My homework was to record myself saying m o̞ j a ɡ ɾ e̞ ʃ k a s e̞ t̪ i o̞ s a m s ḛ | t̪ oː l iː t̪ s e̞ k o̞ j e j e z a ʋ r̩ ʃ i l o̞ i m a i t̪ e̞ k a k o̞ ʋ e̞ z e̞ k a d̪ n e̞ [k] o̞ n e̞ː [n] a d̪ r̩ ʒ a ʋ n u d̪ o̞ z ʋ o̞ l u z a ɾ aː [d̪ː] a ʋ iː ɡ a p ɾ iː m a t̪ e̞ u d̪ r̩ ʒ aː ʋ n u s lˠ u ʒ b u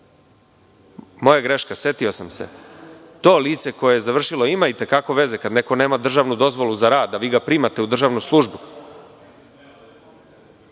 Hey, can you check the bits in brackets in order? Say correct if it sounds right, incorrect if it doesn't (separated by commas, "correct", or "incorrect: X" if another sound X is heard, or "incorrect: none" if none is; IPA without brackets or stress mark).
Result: correct, incorrect: m, correct